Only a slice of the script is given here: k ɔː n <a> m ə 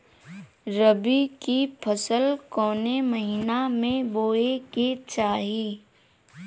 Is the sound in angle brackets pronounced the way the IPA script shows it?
no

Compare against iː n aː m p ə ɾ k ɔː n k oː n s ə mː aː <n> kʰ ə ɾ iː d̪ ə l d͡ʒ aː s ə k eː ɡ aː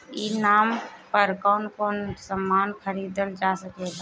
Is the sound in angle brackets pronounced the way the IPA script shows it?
yes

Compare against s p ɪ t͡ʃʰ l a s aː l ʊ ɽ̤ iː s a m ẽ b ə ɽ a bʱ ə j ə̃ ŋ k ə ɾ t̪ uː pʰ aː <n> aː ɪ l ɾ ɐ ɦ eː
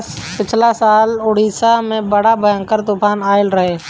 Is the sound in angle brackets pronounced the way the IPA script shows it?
yes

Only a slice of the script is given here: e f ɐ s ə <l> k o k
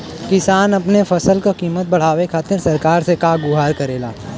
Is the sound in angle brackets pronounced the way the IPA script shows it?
yes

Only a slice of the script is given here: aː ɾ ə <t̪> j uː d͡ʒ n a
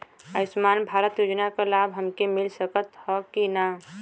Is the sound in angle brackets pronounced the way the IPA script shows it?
yes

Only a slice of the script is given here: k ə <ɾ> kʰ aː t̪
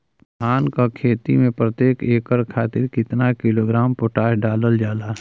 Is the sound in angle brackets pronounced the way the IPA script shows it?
yes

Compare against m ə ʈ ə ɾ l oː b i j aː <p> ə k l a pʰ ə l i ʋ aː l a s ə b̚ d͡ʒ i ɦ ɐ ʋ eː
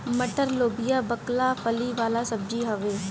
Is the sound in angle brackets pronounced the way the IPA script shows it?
no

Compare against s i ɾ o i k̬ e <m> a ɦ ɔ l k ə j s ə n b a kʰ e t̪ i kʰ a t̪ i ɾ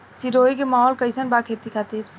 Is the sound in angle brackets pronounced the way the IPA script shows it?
yes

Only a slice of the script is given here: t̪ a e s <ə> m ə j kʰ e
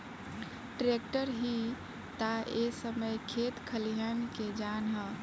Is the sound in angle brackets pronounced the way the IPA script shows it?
yes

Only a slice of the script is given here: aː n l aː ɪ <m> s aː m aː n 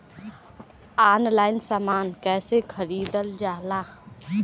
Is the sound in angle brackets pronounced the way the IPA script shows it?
no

